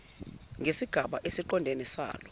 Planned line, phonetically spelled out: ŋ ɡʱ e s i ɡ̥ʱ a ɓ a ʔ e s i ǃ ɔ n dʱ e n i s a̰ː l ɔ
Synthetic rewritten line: ŋ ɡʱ e s i ɡ̥ʱ a ɓ a ʔ e s i ǃ ɔ n dʱ e n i s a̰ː l ɔ